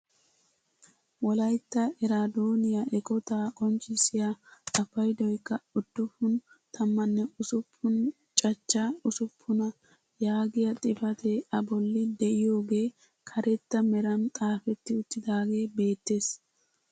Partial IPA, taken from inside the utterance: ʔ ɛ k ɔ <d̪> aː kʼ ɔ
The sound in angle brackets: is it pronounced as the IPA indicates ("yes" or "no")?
no